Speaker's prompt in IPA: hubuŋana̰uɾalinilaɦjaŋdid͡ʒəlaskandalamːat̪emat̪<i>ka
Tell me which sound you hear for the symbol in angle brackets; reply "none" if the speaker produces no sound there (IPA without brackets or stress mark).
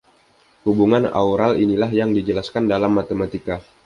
i